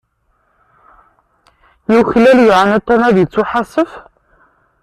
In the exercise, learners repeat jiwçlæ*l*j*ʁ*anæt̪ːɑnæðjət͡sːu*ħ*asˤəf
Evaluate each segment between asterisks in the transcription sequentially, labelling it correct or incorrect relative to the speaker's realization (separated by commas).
correct, incorrect, correct